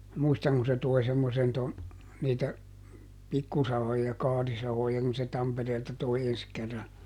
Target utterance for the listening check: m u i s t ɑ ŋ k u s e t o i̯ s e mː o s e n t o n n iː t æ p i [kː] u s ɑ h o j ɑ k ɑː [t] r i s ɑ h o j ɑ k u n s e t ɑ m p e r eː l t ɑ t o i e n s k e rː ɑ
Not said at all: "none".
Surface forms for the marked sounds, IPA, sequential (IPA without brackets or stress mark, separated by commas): kː, none